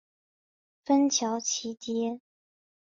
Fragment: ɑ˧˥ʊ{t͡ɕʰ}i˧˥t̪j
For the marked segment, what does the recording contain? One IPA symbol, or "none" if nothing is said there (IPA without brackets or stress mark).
t͡ɕʰ